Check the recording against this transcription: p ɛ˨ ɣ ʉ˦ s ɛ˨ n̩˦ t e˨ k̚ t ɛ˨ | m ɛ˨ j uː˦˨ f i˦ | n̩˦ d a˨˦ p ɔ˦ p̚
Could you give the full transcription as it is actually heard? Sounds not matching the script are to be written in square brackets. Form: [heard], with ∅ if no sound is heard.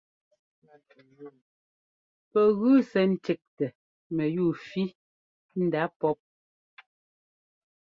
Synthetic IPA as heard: p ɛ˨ ɣ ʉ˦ s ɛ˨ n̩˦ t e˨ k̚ t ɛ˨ | m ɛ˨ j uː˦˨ f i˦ | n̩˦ d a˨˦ p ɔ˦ p̚